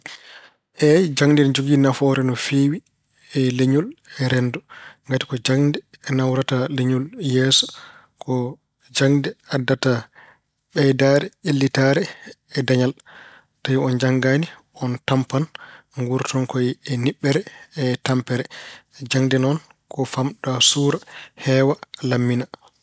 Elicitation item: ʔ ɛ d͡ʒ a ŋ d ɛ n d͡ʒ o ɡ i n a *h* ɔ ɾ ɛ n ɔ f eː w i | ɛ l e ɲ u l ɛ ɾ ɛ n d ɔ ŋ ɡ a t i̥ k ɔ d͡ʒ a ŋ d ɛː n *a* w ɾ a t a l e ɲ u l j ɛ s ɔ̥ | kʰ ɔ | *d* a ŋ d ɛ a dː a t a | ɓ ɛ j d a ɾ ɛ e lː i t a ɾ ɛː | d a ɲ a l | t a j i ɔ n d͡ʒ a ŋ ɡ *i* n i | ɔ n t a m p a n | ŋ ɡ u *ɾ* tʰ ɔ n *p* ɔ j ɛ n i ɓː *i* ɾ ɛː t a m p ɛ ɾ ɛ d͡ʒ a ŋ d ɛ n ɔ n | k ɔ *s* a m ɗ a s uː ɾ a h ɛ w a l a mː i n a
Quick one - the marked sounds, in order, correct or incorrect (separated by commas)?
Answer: incorrect, correct, incorrect, incorrect, correct, incorrect, incorrect, incorrect